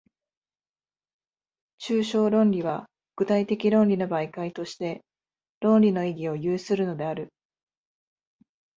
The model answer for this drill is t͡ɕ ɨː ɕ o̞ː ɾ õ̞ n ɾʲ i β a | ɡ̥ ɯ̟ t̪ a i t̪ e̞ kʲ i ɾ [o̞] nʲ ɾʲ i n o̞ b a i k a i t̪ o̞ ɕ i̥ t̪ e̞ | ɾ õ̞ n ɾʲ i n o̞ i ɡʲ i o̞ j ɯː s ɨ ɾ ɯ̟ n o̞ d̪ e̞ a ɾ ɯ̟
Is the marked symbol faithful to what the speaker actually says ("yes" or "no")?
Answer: no